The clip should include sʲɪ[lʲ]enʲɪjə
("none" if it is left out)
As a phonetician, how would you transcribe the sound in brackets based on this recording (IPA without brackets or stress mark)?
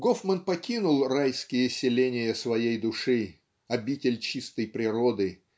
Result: lʲ